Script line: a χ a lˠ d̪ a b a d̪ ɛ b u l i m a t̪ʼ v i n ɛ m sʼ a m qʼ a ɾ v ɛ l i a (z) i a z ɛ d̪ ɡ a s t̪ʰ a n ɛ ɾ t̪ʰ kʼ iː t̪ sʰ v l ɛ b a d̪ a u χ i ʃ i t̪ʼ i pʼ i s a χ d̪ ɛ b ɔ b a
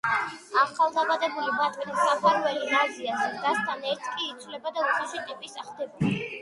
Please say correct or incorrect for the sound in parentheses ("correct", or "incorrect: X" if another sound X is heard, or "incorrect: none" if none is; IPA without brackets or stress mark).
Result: correct